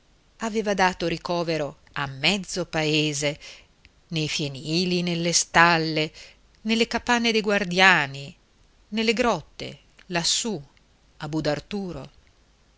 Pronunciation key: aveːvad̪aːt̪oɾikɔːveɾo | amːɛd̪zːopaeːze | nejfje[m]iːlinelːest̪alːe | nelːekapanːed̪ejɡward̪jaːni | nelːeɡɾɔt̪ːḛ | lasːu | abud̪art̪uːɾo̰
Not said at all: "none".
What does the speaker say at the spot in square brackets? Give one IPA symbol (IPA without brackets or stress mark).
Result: n